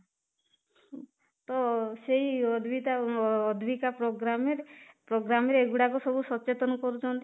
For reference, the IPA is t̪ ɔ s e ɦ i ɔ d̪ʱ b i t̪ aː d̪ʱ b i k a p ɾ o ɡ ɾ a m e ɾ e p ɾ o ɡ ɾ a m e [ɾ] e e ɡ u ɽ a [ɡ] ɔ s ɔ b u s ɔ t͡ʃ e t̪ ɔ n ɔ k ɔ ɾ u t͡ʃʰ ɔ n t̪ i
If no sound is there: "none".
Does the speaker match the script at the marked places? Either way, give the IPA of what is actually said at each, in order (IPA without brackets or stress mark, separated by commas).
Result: ɾ, k